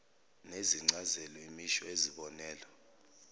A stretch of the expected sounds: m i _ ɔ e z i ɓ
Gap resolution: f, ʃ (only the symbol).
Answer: ʃ